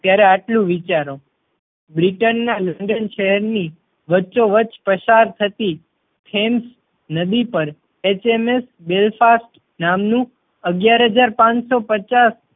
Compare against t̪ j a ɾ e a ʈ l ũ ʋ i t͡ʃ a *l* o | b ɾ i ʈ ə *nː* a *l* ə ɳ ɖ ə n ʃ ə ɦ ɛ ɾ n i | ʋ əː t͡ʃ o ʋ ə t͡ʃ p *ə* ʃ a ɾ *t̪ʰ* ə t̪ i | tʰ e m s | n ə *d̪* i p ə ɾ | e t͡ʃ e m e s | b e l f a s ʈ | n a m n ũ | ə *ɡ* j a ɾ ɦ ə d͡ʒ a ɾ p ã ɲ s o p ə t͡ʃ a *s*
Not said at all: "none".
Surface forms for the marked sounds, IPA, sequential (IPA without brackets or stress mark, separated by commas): ɾ, nː, l, ə, t̪ʰ, d̪, ɡ, s